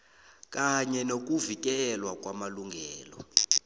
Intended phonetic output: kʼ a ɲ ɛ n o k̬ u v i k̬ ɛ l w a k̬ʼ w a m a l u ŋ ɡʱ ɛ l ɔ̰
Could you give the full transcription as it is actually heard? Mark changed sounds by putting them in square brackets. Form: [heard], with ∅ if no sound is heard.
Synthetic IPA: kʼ a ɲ ɛ n o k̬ u v i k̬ ɛ l w a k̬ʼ w a m a l u ŋ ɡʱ [ɛː] l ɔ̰